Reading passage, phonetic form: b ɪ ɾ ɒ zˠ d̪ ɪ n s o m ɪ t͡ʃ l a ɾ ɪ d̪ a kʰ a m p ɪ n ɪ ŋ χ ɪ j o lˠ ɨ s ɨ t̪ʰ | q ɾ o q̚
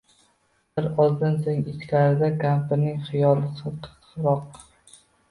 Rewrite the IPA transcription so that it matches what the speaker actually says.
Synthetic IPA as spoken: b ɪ ɾ ɒ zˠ d̪ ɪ n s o ŋ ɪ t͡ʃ l a ɾ ɪ d̪ a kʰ a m p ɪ n ɪ ŋ χ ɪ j ɒ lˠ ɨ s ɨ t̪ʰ | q ɾ ɒ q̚